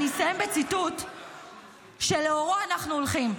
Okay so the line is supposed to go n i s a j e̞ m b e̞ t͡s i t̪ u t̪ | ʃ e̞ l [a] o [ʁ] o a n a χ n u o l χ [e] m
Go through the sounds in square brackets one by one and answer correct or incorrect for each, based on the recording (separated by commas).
incorrect, correct, incorrect